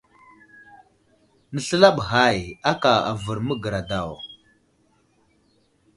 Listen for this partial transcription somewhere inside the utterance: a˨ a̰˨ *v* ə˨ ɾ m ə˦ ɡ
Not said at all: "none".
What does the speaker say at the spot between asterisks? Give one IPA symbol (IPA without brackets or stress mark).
v